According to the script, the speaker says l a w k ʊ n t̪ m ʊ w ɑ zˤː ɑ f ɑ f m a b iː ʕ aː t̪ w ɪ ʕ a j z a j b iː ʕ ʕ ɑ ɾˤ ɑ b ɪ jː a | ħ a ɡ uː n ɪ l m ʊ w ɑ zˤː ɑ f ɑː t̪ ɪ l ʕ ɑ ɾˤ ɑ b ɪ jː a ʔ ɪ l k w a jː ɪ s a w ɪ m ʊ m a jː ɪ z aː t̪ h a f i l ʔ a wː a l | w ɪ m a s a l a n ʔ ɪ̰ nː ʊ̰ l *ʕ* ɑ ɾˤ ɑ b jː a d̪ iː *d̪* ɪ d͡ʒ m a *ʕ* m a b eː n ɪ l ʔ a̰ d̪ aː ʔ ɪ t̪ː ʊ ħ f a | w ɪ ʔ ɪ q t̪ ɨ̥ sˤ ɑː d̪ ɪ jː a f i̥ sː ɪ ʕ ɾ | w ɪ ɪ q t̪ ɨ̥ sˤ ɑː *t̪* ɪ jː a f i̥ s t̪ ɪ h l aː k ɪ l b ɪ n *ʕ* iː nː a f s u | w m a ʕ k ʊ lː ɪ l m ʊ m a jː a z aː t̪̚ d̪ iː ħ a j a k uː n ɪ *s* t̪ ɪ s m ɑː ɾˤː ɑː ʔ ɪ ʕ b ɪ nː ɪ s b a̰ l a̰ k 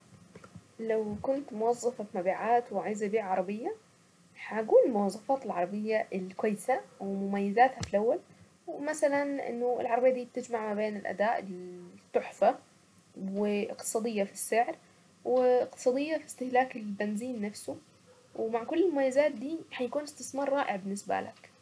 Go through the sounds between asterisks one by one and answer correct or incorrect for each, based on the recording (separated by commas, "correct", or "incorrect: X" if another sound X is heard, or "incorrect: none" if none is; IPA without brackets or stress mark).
correct, incorrect: t̪, correct, incorrect: d̪, incorrect: z, correct